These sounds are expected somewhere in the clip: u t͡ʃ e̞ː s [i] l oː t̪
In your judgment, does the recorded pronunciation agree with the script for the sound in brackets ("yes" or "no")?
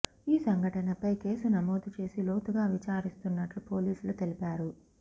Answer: yes